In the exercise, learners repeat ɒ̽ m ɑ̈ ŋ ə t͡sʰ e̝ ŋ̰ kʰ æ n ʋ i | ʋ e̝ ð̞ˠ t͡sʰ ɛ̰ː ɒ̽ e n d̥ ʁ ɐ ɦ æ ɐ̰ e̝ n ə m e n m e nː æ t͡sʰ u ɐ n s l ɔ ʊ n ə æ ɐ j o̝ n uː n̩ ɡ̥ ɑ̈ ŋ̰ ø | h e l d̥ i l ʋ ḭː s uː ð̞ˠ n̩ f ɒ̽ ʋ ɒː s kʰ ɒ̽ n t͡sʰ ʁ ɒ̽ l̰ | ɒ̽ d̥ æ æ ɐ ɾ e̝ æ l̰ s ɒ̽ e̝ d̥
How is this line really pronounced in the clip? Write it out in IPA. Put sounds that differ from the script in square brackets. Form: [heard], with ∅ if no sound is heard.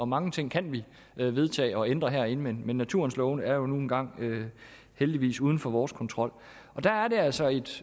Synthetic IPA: ɒ̽ m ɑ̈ ŋ ə t͡sʰ e̝ ŋ̰ kʰ æ n ʋ i | ʋ e̝ ð̞ˠ t͡sʰ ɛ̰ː ɒ̽ e n d̥ ʁ ɐ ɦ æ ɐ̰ e̝ n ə m e n m e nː æ t͡sʰ u ɐ n s l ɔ ʊ n ə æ ɐ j o̝ n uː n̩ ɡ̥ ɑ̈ ŋ̰ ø | h e l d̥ i [∅] ʋ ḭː s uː ð̞ˠ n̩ f ɒ̽ ʋ ɒː s kʰ ɒ̽ n t͡sʰ ʁ ɒ̽ l̰ | ɒ̽ d̥ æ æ ɐ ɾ e̝ æ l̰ s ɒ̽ e̝ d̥